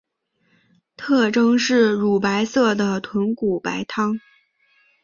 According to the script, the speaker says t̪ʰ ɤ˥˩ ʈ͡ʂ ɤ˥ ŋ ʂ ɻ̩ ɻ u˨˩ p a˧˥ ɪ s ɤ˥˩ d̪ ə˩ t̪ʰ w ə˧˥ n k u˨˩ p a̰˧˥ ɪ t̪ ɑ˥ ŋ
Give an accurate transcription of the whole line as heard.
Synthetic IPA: t̪ʰ ɤ˥˩ ʈ͡ʂ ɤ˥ ŋ ʂ ɻ̩ ɻ u˨˩ p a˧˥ ɪ s ɤ˥˩ d̪ ə˩ t̪ʰ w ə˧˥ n k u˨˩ p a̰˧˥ ɪ t̪ʰ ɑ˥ ŋ